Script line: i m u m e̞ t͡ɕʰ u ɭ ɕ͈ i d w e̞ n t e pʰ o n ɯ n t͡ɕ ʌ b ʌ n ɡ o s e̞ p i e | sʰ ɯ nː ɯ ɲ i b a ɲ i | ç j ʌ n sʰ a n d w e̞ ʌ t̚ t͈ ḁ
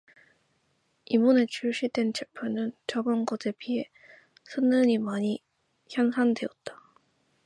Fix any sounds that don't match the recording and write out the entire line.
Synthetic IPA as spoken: i m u n e̞ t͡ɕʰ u ɭ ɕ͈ i d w e̞ n t͡ɕ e pʰ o n ɯ n t͡ɕ ʌ b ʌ n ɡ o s e̞ p i e | sʰ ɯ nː ɯ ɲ i m a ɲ i | ç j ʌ n sʰ a n d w e̞ ʌ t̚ t͈ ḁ